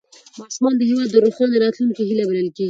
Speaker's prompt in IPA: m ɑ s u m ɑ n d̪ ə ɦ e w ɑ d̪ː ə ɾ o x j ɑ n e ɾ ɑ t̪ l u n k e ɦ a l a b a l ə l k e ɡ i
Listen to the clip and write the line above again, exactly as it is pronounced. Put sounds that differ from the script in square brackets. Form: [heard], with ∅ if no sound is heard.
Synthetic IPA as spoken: m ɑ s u m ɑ n d̪ ə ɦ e w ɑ d̪ː ə ɾ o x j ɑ n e ɾ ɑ t̪ l u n k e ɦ [i] l a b a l ə l k e ɡ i